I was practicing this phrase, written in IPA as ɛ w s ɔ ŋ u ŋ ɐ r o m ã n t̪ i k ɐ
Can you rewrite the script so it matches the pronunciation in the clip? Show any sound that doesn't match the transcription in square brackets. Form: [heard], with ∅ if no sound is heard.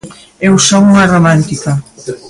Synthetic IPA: [e] w s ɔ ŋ u ŋ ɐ r o m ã n t̪ i k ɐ